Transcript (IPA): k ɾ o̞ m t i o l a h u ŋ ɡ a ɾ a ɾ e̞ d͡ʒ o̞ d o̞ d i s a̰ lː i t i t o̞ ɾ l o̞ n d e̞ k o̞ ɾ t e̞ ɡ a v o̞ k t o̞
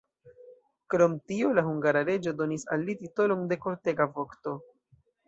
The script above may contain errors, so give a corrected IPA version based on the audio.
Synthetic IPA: k ɾ o̞ m t i o l a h u ŋ ɡ a ɾ a ɾ e̞ d͡ʒ o̞ d o̞ n i s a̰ lː i t i t o̞ l o̞ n d e̞ k o̞ ɾ t e̞ ɡ a v o̞ k t o̞